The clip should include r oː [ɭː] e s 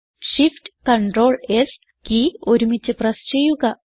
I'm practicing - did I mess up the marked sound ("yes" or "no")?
yes